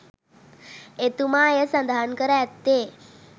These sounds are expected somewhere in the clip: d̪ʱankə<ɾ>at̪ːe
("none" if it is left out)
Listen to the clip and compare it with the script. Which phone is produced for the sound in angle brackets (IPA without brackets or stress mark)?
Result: ɾ